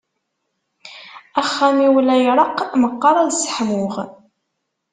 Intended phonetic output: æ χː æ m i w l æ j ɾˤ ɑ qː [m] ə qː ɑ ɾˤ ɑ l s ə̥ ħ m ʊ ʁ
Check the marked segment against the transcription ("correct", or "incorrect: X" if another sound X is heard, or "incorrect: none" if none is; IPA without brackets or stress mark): correct